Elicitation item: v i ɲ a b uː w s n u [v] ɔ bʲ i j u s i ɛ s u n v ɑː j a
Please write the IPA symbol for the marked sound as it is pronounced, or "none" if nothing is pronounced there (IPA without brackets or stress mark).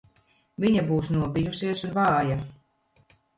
none